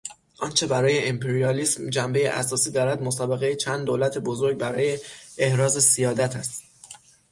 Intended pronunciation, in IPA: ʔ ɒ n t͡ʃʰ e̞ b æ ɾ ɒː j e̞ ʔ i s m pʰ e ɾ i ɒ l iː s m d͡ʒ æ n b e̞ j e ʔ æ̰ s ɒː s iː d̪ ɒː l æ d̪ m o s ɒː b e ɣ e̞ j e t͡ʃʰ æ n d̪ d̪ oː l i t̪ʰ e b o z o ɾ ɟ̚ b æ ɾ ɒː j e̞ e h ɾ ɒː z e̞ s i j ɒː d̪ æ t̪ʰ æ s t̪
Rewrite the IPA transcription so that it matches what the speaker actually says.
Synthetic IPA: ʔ ɒ n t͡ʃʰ e̞ b æ ɾ ɒː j e̞ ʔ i m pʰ e ɾ i ɒ l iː s m d͡ʒ æ m b e̞ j e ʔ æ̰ s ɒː s iː d̪ ɒː ɾ æ d̪ m o s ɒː b e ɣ e̞ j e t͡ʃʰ æ n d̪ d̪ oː l æ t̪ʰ e b o z o ɾ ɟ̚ b æ ɾ ɒː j e̞ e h ɾ ɒː z e̞ s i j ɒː d̪ æ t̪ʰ æ s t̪